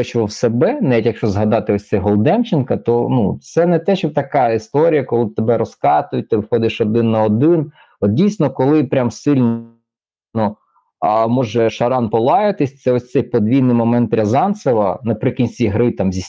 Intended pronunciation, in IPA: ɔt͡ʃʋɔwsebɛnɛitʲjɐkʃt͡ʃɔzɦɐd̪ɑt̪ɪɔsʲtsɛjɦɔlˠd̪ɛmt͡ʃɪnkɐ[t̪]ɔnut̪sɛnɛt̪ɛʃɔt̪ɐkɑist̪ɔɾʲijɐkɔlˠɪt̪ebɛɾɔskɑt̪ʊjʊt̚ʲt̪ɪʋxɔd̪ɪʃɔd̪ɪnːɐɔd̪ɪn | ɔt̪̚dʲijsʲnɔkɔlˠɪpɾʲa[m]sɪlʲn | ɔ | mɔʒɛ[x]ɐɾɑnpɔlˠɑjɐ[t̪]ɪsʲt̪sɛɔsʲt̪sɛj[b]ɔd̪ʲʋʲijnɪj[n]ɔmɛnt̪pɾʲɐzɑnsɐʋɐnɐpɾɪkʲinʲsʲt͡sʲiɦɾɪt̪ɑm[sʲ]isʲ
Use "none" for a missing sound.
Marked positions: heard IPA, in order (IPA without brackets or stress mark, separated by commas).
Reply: t̪, m, ʃ, t̪, p, m, zʲ